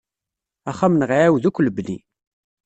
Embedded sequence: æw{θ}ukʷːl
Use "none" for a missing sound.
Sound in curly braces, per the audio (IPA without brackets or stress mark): ð